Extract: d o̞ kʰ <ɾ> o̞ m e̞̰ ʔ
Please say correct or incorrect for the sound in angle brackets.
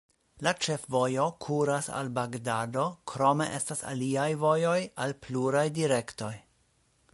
correct